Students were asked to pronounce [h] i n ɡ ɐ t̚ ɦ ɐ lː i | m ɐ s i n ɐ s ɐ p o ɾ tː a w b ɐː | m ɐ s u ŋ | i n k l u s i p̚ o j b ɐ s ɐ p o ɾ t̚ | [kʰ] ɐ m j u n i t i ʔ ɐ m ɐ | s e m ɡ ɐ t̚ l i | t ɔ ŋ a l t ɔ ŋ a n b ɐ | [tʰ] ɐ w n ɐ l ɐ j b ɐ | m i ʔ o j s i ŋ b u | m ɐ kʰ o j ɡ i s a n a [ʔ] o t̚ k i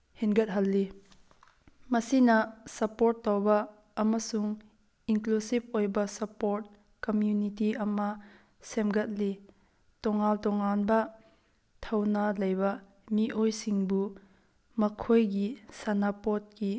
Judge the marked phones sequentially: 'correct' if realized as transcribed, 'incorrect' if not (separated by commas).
correct, incorrect, correct, incorrect